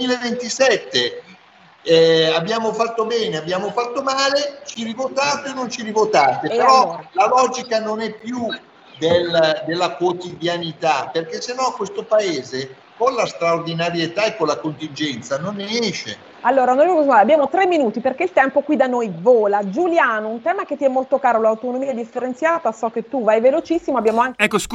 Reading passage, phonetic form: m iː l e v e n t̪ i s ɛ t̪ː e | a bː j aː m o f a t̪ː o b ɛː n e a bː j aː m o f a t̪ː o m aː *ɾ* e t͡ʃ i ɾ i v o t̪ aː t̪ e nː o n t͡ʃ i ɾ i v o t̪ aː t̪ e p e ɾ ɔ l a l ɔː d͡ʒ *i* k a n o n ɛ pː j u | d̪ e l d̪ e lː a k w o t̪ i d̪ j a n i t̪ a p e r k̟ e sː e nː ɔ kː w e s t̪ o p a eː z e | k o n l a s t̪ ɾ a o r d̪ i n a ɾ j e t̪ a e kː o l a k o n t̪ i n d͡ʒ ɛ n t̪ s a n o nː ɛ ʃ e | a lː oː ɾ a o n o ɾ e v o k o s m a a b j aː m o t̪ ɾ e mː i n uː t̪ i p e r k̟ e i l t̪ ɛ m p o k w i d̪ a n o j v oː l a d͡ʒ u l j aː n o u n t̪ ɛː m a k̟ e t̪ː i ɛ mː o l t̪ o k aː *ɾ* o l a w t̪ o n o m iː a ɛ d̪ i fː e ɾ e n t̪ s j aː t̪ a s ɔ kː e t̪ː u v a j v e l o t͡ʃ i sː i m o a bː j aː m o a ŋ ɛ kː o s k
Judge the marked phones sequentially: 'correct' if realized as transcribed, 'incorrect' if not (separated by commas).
incorrect, correct, correct